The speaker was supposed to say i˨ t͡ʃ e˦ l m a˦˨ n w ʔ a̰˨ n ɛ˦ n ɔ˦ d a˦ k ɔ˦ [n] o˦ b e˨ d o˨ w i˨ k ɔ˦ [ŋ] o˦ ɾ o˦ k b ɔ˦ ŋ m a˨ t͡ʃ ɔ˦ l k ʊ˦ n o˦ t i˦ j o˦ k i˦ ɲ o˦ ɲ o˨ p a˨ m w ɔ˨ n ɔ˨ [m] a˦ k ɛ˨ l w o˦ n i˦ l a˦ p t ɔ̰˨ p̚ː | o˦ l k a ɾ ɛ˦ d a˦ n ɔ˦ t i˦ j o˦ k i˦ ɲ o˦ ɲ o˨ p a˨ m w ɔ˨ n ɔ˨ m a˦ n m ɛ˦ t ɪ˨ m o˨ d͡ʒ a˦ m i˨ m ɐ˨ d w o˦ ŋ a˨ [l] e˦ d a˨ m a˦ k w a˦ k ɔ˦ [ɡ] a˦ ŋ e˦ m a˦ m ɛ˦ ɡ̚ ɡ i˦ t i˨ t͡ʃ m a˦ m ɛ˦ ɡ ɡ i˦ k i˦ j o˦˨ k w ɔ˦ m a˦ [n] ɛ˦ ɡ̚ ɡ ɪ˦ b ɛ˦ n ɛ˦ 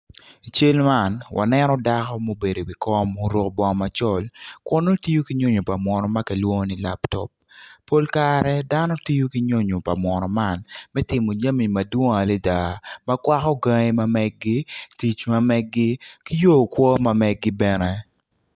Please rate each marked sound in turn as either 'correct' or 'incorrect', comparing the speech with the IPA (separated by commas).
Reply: incorrect, incorrect, correct, correct, correct, incorrect